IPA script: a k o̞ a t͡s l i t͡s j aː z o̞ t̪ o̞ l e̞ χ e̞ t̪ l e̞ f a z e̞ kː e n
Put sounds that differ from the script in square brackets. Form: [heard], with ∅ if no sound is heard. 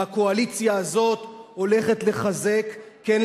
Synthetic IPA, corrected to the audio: a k o̞ a [∅] l i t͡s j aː z o̞ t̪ o̞ l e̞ χ e̞ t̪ l e̞ [χ] a z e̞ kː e n